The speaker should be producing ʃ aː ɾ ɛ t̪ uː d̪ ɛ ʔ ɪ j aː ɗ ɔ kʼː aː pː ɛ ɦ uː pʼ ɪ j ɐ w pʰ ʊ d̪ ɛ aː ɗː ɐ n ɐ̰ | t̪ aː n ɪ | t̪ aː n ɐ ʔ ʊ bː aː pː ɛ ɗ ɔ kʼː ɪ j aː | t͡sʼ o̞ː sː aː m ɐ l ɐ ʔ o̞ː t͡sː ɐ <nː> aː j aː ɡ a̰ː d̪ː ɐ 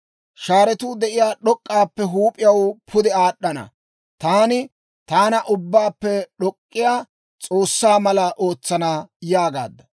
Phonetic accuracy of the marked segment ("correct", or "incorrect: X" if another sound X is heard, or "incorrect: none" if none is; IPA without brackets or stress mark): incorrect: n